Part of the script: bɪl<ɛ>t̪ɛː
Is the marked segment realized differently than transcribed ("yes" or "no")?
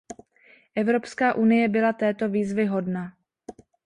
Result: yes